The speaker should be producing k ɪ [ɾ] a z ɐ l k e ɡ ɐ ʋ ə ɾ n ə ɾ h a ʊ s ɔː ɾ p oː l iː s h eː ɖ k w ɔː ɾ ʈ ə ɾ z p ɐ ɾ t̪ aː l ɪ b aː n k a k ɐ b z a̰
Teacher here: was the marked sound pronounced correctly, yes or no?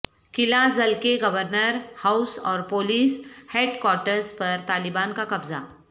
no